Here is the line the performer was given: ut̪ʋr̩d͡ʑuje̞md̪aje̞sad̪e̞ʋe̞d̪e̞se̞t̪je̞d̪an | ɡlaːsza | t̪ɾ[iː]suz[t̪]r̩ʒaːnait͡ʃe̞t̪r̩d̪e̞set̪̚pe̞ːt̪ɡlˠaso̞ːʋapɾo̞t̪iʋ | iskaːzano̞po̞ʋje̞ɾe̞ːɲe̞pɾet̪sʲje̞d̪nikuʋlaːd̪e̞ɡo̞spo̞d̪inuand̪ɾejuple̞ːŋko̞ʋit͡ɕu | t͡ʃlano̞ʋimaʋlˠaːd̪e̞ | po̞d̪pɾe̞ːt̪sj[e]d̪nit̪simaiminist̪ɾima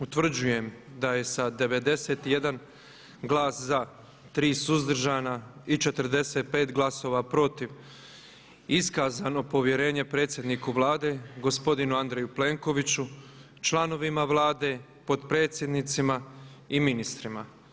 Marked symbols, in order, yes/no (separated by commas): yes, no, yes